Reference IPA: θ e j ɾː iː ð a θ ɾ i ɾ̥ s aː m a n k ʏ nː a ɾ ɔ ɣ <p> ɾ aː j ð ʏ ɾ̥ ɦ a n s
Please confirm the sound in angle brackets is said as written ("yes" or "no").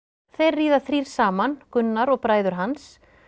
yes